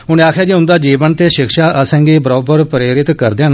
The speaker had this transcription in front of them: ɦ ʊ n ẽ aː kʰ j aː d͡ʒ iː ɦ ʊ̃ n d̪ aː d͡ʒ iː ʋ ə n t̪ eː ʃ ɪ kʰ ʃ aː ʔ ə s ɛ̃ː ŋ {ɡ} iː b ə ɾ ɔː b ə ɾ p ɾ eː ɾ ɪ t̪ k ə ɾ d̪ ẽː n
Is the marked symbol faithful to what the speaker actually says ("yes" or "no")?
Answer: yes